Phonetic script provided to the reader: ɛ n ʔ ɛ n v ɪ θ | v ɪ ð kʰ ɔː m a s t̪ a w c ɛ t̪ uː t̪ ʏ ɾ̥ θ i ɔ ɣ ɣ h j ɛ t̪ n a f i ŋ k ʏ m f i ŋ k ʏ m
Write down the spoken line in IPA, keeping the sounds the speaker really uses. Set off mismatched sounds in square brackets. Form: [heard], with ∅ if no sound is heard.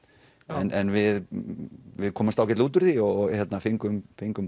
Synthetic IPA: ɛ n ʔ ɛ n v ɪ [ð] | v ɪ ð kʰ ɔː m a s t̪ a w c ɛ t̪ uː t̪ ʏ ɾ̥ θ i ɔ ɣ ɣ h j ɛ t̪ n a f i ŋ k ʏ m f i ŋ k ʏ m